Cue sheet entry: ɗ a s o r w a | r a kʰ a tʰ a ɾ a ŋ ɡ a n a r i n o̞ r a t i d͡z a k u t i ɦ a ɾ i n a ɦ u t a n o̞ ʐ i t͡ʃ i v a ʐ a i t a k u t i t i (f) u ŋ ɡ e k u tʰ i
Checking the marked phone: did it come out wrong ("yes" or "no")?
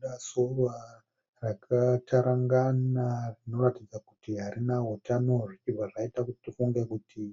no